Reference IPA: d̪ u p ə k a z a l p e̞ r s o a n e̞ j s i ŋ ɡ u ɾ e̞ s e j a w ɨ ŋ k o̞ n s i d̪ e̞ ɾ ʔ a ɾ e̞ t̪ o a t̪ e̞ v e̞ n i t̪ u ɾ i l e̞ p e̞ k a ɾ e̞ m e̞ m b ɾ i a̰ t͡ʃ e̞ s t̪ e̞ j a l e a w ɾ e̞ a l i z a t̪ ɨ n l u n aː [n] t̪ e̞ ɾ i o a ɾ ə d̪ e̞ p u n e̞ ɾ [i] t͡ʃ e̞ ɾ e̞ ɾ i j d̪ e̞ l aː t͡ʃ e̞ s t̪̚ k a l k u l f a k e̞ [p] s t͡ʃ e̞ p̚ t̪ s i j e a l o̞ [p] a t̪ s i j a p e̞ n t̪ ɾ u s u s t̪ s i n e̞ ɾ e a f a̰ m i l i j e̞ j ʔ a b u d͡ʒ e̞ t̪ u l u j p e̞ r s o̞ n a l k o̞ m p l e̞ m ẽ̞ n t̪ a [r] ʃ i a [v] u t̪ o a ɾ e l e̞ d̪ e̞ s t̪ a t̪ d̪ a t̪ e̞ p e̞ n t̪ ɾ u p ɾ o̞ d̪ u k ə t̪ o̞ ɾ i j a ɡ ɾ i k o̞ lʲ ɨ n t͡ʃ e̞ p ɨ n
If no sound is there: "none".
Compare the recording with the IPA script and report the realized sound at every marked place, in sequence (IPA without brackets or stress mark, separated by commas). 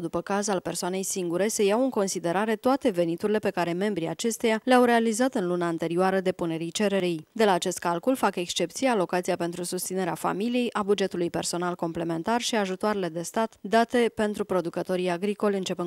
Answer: n, i, k, k, r, ʒ